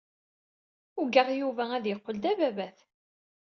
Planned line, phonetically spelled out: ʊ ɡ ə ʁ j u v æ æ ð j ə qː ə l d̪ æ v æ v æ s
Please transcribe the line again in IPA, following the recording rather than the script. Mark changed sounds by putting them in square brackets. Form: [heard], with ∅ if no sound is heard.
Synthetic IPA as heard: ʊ ɡ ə ʁ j u v æ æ ð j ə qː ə l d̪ æ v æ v æ [θ]